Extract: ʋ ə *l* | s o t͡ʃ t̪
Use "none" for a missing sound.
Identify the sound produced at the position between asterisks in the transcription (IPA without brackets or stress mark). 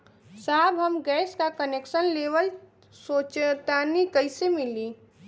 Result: l